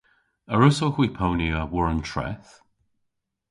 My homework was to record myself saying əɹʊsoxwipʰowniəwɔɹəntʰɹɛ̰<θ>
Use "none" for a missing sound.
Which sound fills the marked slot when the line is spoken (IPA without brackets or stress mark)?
θ